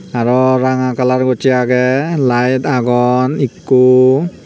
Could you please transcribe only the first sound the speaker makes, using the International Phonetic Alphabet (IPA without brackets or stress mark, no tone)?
a